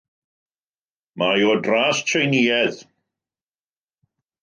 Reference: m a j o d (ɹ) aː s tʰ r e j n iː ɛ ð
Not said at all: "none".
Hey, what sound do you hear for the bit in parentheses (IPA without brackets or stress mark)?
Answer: r